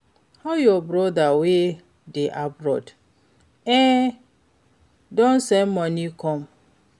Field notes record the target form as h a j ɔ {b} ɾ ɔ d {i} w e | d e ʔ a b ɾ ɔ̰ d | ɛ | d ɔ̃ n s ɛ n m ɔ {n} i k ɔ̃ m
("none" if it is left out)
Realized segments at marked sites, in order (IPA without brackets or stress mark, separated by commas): b, a, n